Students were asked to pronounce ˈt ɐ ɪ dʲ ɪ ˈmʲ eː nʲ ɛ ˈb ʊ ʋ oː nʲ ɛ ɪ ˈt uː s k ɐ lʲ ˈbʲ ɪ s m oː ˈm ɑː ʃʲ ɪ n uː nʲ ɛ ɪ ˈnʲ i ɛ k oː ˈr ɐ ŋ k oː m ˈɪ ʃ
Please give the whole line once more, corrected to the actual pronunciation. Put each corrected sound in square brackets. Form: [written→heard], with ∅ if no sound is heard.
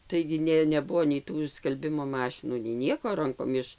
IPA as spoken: ˈt ɐ ɪ [dʲ→ɡʲ] ɪ [ˈmʲ→ˈnʲ] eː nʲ ɛ ˈb ʊ ʋ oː nʲ ɛ ɪ ˈt uː s k ɐ lʲ ˈbʲ ɪ [s→∅] m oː ˈm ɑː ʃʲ ɪ n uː nʲ ɛ ɪ ˈnʲ i ɛ k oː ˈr ɐ ŋ k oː m ˈɪ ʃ